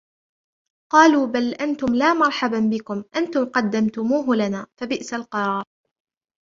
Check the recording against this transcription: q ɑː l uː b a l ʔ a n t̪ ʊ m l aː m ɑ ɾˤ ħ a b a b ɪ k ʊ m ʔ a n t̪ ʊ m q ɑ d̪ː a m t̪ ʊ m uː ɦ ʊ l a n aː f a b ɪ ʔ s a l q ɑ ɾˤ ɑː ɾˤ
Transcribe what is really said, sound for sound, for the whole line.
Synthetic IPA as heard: q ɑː l uː b a l ʔ a n t̪ ʊ m l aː m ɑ ɾˤ ħ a b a b ɪ k ʊ m ʔ a n t̪ ʊ m q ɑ d̪ː a m t̪ ʊ m uː ɦ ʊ l a n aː f a b ɪ ʔ s a l q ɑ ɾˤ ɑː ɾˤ